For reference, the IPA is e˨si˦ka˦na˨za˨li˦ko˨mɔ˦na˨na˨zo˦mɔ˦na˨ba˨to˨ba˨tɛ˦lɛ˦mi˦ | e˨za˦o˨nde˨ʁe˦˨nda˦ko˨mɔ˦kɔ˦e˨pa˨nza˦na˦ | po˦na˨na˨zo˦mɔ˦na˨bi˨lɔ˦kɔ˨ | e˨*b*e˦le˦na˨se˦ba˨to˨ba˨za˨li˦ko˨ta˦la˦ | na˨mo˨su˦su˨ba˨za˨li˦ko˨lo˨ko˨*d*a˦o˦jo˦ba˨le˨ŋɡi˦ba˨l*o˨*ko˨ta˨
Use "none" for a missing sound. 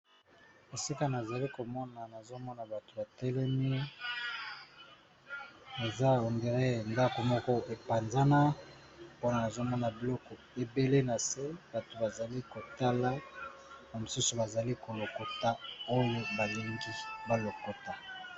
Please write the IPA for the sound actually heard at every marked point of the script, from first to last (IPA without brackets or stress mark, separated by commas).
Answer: b, t, o˨